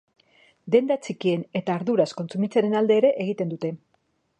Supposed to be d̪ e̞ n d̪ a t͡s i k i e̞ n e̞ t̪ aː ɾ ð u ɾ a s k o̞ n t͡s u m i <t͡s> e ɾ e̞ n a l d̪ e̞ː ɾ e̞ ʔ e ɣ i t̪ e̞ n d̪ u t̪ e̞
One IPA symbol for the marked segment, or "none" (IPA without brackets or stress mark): t͡s